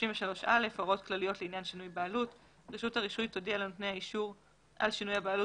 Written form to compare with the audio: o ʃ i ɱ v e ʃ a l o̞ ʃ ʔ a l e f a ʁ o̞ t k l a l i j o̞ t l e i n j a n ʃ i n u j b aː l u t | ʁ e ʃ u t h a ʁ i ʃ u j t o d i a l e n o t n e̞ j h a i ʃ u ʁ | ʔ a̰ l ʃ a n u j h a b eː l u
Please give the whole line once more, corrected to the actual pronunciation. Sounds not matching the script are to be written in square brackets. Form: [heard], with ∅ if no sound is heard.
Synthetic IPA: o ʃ i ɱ v e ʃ a l o̞ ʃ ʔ a l e f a ʁ o̞ t k l a l i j o̞ t l e i n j a n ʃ i n u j b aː l u t | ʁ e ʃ u t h a ʁ i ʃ u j t o d i a l e n o t n e̞ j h a i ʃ u ʁ | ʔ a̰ l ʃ [i] n u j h a b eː l u